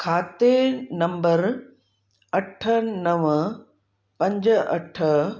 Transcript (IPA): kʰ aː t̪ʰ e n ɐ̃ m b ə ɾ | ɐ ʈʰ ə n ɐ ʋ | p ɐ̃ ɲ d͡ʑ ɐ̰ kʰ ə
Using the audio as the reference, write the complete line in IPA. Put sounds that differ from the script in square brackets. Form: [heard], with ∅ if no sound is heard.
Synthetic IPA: kʰ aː [t̪] e n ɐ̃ m b ə ɾ | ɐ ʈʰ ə n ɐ ʋ | p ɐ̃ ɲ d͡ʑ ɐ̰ [ʈʰ] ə